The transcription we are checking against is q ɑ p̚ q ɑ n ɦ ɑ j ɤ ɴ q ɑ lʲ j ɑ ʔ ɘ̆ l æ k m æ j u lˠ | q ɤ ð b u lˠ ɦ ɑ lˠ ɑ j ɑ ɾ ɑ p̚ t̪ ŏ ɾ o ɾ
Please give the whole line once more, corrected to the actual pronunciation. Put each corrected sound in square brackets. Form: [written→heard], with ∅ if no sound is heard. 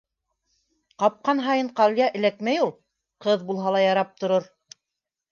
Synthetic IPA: q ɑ p̚ q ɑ n ɦ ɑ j ɤ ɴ q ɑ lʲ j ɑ ʔ ɘ̆ l æ k m æ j u lˠ | q ɤ ð b u lˠ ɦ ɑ lˠ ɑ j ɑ ɾ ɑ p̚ t̪ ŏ ɾ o ɾ